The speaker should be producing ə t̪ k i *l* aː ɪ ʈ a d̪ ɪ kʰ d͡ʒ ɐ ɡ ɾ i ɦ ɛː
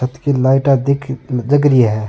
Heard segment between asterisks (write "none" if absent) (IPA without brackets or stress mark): l